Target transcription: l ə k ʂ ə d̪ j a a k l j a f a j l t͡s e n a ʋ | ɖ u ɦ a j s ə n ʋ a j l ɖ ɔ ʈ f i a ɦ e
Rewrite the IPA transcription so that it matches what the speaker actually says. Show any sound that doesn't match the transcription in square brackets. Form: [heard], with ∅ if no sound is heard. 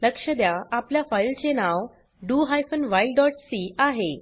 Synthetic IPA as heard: l ə k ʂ ə d̪ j a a [p] l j a f a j l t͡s e n a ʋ | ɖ u ɦ a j [f] ə n ʋ a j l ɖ ɔ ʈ [s] i a ɦ e